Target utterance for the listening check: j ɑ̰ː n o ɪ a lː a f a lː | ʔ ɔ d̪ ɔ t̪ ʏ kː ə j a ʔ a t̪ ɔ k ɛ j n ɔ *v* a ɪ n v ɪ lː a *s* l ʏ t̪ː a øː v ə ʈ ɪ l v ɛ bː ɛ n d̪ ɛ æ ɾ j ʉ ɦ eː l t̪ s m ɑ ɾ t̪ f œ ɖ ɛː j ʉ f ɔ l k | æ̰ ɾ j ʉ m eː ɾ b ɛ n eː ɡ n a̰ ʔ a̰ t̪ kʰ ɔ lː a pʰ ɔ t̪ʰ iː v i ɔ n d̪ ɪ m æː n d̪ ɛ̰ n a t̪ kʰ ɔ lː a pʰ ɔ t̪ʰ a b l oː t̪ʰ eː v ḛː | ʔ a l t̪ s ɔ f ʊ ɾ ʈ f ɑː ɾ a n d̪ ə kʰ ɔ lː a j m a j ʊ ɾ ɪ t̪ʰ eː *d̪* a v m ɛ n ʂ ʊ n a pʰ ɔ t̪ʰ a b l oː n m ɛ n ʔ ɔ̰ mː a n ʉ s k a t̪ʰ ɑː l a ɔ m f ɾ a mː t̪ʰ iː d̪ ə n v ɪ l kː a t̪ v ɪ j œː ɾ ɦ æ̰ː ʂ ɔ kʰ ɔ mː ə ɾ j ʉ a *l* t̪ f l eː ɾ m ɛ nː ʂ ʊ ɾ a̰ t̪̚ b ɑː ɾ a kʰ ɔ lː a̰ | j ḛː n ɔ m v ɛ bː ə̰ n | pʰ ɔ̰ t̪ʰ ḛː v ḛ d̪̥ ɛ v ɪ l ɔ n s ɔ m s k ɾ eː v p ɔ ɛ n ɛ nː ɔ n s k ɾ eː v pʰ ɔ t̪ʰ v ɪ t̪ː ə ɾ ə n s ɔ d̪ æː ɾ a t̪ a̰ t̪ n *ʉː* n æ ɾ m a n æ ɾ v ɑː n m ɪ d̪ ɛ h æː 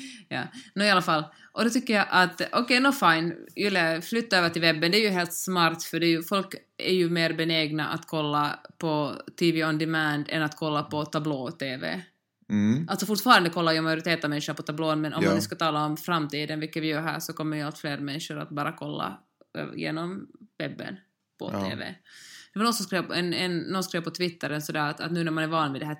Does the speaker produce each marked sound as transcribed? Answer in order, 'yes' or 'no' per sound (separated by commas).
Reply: no, no, no, yes, yes